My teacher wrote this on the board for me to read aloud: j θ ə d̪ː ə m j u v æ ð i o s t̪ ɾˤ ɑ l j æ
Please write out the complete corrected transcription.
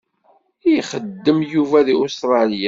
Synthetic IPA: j χ ə d̪ː ə m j u v æ ð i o s t̪ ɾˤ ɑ l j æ